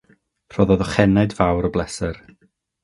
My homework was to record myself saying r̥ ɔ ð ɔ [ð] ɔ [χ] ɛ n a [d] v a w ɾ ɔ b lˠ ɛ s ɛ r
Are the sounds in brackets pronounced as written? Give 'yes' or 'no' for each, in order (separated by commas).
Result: yes, yes, yes